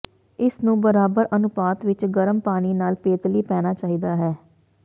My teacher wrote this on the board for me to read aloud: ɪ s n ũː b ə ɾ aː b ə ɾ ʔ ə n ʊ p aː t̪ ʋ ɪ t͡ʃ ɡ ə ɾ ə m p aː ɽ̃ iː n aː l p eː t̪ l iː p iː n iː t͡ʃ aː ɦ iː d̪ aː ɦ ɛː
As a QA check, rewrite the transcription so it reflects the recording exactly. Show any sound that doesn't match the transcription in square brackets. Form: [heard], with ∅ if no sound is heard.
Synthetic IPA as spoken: ɪ s n ũː b ə ɾ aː b ə ɾ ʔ ə n ʊ p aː t̪ ʋ ɪ t͡ʃ ɡ ə ɾ ə m p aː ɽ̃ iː n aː l p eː t̪ l iː p [ɛː] n [aː] t͡ʃ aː ɦ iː d̪ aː ɦ ɛː